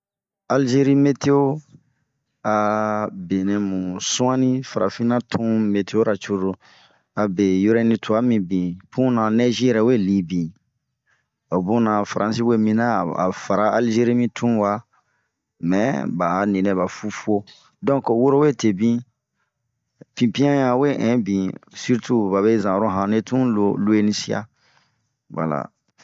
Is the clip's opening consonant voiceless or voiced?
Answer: voiced